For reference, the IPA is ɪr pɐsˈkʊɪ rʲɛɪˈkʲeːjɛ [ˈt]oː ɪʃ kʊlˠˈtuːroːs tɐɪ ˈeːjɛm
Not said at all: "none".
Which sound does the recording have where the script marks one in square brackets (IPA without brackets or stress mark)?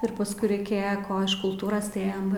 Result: k